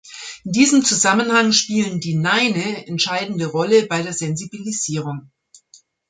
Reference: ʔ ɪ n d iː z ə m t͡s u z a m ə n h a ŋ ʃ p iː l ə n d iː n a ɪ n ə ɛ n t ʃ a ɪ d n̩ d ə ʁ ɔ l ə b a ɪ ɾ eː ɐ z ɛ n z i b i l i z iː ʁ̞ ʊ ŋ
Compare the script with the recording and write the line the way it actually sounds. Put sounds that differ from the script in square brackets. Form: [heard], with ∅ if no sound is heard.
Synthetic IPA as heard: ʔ ɪ n d iː z ə m t͡s u z a m ə n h a ŋ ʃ p iː l ə n d iː n a ɪ n ə ɛ n t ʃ a ɪ d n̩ d ə ʁ ɔ l ə b a ɪ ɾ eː ɐ z ɛ n z i b i l i z iː ʁ̞ ʊ ŋ